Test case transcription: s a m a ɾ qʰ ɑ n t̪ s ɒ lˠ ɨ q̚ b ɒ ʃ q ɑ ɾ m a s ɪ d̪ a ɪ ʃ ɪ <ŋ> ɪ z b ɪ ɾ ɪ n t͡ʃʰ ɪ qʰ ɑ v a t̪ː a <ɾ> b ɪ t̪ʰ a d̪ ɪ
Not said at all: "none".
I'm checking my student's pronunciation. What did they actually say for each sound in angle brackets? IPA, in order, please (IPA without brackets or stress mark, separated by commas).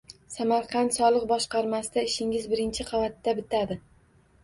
ŋ, none